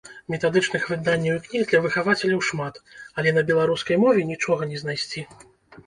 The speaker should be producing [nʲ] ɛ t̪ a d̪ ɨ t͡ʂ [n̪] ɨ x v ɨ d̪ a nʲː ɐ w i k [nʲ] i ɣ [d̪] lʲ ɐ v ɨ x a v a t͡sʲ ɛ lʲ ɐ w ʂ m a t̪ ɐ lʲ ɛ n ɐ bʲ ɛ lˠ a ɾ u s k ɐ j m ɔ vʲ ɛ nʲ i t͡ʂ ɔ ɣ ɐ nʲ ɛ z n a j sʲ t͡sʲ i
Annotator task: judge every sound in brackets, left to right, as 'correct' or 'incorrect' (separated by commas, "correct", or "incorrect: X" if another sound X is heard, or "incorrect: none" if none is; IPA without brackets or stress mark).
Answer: incorrect: mʲ, correct, correct, correct